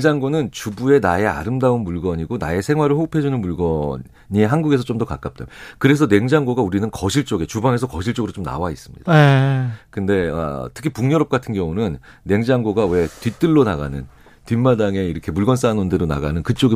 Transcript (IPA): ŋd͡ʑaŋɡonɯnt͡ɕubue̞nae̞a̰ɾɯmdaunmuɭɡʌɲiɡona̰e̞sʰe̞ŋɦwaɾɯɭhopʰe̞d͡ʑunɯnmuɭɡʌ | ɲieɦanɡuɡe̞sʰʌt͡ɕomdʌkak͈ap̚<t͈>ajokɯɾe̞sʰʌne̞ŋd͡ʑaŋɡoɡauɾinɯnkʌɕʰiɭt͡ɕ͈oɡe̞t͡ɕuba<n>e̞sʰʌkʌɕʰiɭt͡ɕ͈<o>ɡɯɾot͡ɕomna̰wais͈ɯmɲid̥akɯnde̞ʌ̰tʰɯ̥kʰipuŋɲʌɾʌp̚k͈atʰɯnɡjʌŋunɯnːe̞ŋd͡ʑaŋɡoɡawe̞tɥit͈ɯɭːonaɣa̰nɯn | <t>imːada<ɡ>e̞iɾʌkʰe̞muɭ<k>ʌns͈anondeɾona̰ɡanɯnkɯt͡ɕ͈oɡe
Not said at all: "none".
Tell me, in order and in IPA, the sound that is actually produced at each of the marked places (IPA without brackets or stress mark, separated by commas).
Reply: t͈, ŋ, o, t, ŋ, ɡ